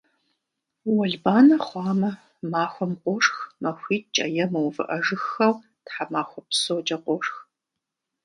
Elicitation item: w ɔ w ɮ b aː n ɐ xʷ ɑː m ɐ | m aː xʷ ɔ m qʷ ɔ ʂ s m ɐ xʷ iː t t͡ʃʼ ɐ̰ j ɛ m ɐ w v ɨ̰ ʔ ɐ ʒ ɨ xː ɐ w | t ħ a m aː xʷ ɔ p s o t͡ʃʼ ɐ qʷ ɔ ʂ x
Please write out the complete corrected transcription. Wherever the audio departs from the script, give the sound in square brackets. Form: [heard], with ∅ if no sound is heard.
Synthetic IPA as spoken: w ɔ [∅] ɮ b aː n ɐ [χʷ] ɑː m ɐ | m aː xʷ ɔ m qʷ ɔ ʂ [x] m ɐ xʷ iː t t͡ʃʼ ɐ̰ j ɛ m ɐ w v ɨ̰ ʔ ɐ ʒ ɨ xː ɐ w | t ħ a m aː xʷ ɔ p s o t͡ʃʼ ɐ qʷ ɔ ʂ x